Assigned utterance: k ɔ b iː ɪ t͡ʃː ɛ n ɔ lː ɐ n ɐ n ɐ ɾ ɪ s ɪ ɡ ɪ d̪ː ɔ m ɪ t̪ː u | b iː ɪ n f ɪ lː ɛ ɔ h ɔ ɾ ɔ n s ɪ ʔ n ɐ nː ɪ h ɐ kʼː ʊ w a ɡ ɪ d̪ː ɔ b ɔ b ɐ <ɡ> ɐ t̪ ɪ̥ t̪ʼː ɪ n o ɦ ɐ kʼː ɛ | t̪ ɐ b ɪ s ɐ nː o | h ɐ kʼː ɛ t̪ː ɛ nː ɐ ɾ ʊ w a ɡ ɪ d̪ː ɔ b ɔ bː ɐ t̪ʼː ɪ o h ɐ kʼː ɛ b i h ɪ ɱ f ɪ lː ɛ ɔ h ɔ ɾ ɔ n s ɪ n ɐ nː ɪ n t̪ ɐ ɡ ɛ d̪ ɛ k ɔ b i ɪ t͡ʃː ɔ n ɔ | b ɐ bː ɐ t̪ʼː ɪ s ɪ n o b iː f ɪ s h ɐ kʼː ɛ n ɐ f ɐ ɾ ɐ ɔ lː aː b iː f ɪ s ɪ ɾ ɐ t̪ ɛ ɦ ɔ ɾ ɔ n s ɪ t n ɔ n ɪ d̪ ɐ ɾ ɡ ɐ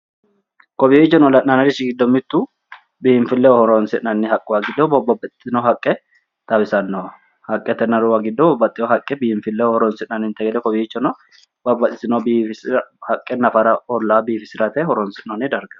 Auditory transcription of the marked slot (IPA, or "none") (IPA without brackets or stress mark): b